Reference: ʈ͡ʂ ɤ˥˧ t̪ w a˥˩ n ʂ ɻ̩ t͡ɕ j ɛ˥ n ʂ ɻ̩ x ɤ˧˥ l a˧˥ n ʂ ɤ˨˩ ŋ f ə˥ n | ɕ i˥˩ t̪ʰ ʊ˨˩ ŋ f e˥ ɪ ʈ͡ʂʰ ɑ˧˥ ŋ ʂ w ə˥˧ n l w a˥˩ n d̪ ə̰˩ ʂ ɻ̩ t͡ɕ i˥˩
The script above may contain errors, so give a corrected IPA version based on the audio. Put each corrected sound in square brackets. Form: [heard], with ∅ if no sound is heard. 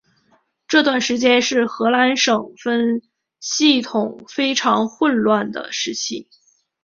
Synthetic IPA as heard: ʈ͡ʂ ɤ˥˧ t̪ w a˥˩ n ʂ ɻ̩ t͡ɕ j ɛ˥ n ʂ ɻ̩ x ɤ˧˥ l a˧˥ n ʂ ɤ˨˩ ŋ f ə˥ n | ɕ i˥˩ t̪ʰ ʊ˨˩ ŋ f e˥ ɪ ʈ͡ʂʰ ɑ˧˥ ŋ [x] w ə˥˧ n l w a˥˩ n d̪ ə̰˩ ʂ ɻ̩ [t͡ɕʰ] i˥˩